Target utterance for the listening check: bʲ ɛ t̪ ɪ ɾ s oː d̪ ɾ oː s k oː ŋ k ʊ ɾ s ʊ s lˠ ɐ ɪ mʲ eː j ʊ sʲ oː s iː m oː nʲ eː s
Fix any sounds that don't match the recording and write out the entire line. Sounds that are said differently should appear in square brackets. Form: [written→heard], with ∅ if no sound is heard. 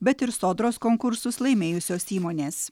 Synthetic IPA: bʲ ɛ t̪ ɪ ɾ s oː d̪ ɾ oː s k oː ŋ k ʊ ɾ s ʊ s lˠ ɐ ɪ mʲ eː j ʊ sʲ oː s iː m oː nʲ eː s